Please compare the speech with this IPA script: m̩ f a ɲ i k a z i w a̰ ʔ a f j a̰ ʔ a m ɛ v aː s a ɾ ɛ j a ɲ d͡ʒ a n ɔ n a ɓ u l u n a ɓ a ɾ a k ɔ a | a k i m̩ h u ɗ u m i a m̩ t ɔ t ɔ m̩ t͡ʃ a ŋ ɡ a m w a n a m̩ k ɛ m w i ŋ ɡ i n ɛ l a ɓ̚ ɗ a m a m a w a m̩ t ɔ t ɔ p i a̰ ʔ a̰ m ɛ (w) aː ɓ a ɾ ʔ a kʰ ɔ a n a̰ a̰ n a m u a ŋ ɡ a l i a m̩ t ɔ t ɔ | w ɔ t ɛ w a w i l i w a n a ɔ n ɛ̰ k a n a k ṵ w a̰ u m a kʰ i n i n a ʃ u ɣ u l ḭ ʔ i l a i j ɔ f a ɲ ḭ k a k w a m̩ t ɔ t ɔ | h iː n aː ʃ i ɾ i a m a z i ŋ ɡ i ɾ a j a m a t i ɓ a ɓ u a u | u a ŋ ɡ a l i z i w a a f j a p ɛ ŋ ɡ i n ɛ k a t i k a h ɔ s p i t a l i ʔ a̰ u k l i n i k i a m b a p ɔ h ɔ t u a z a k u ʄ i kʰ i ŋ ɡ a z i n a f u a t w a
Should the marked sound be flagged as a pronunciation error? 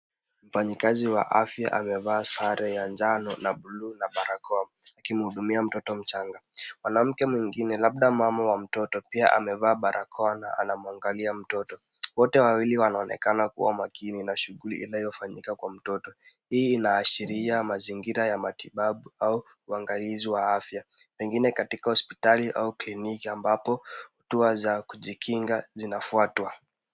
yes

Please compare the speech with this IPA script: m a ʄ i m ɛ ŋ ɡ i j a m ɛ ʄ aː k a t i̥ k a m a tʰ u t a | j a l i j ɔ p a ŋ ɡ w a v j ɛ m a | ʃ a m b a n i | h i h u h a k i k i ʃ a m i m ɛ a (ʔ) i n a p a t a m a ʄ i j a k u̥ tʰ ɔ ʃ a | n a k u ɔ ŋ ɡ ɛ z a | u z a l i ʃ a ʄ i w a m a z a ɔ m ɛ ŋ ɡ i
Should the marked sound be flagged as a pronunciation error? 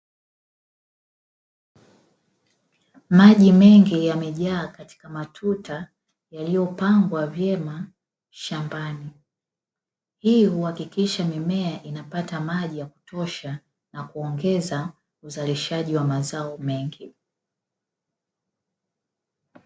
no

